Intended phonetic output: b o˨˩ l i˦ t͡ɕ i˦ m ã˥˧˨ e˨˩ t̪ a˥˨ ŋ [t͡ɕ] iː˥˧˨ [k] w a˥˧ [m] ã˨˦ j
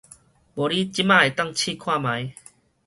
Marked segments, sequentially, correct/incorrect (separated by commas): incorrect, incorrect, correct